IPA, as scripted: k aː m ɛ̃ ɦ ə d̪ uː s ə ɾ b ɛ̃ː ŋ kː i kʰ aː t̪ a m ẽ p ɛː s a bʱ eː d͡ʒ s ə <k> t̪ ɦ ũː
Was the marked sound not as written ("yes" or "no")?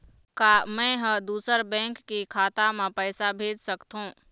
no